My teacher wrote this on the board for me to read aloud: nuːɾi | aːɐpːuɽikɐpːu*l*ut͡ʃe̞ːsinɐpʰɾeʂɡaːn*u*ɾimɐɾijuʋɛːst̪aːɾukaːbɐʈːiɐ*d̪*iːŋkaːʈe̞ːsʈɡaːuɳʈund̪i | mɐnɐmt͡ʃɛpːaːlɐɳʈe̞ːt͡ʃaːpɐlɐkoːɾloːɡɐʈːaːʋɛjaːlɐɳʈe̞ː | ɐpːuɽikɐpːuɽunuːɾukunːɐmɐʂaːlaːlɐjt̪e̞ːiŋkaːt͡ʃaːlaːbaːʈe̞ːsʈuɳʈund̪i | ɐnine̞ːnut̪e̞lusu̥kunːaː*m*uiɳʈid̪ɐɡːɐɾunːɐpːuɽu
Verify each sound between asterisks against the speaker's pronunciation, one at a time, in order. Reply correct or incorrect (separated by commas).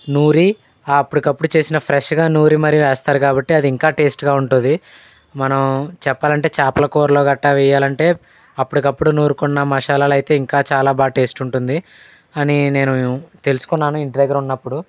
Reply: incorrect, incorrect, correct, incorrect